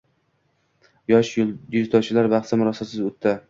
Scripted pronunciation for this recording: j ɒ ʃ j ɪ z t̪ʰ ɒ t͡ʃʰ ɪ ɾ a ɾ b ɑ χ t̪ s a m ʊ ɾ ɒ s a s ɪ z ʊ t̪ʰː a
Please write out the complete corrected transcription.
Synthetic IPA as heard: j ɒ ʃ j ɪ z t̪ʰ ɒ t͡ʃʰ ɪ l a ɾ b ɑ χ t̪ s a m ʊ ɾ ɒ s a s ɪ z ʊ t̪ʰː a

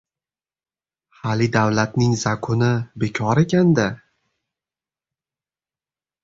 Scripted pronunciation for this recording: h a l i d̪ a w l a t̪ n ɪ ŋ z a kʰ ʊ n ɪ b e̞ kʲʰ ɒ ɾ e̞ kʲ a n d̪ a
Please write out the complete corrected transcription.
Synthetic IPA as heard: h a l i d̪ a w l a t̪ n ɪ ŋ z a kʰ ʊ n ɪ b e̞ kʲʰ ɒ ɾ e̞ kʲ a n d̪ a

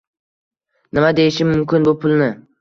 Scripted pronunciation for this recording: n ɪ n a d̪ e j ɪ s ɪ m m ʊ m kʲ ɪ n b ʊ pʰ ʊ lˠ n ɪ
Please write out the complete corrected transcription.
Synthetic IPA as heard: n ɪ m a d̪ e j ɪ ʃ ɪ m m ʊ m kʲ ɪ n b ʊ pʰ ʊ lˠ n ɪ

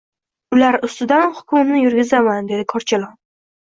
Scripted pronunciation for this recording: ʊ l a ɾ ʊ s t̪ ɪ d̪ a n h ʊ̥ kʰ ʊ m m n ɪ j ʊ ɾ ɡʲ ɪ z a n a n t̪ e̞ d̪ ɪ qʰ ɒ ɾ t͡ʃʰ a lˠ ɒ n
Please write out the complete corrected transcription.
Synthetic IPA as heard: ʊ l a ɾ ʊ s t̪ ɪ d̪ a n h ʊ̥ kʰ ʊ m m n ɪ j ʊ ɾ ɡʲ ɪ z a m a n d̪ e̞ d̪ ɪ kʰ ɒ ɾ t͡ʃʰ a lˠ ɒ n

